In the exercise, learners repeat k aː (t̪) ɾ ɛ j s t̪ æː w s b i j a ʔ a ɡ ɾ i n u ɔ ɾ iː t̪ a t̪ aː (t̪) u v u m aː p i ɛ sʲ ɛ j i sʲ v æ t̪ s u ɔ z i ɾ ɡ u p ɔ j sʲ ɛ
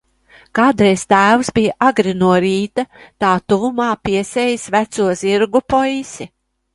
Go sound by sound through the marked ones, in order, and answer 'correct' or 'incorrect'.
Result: incorrect, correct

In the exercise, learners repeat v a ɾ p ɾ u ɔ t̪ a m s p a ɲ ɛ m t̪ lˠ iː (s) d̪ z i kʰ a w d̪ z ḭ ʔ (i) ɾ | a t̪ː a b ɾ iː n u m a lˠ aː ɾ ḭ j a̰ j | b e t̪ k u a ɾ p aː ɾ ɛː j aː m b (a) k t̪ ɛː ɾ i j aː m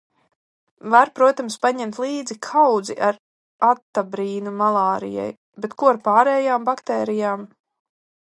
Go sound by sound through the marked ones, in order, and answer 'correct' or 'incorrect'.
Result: incorrect, incorrect, correct

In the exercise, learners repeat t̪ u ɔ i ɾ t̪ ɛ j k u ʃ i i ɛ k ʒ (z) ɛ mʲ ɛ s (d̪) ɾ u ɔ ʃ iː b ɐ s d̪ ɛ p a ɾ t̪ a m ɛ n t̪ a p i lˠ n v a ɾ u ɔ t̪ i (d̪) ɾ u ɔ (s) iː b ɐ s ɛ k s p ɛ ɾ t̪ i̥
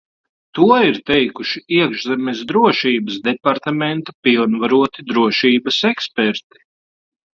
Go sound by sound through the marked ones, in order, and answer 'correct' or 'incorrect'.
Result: correct, correct, correct, incorrect

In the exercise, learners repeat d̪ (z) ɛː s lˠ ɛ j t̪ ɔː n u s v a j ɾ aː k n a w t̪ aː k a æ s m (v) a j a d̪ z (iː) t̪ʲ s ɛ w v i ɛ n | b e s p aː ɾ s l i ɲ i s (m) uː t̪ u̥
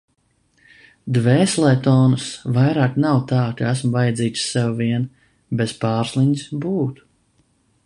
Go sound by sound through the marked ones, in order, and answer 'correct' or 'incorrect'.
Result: incorrect, correct, correct, incorrect

